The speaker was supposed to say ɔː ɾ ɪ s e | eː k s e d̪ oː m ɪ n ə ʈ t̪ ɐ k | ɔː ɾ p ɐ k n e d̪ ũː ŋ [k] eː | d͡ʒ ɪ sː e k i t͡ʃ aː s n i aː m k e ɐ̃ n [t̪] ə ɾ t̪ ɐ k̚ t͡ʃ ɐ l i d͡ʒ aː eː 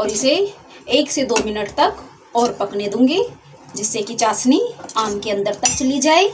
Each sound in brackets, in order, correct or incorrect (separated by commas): incorrect, incorrect